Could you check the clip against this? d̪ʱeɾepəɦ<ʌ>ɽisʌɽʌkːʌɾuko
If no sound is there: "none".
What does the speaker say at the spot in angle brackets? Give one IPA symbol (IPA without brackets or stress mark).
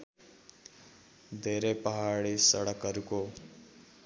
a